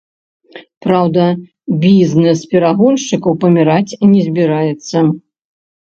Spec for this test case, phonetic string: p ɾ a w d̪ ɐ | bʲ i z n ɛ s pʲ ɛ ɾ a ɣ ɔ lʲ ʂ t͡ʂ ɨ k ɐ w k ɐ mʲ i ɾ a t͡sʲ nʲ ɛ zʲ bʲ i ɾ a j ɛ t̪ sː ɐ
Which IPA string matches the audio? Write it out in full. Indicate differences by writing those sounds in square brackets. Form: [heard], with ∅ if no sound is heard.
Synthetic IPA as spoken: p ɾ a w d̪ ɐ | bʲ i z n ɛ s pʲ ɛ ɾ a ɣ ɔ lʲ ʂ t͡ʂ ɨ k ɐ w [p] ɐ mʲ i ɾ a t͡sʲ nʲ ɛ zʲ bʲ i ɾ a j ɛ t̪ sː ɐ